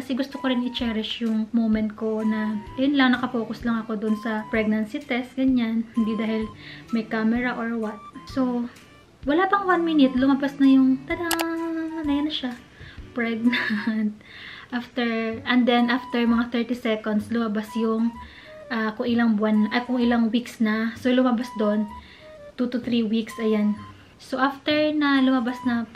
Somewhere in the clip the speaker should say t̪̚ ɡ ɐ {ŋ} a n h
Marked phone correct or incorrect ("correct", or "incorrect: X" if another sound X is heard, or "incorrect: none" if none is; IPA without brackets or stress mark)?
incorrect: ɲ